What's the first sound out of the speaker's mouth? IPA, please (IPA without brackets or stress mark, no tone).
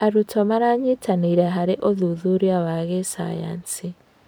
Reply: a